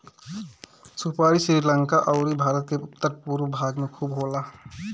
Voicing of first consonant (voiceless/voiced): voiceless